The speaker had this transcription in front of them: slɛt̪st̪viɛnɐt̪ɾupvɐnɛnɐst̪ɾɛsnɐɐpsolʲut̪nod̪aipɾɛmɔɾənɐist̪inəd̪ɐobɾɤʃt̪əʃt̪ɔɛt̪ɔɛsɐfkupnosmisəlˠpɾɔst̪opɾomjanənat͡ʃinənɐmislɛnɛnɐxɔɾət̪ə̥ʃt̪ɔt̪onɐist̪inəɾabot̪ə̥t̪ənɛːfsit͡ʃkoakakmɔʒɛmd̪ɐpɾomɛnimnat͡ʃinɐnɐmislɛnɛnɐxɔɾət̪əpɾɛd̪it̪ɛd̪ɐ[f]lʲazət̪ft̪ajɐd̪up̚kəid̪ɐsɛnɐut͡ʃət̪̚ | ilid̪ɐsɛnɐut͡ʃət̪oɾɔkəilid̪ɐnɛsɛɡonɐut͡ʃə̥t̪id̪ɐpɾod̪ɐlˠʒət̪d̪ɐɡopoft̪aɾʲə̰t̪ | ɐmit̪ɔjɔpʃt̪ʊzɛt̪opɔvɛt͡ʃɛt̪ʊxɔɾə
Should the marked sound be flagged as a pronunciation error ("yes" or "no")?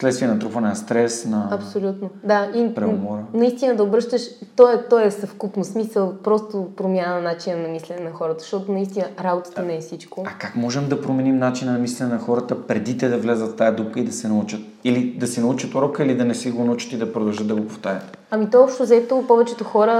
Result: yes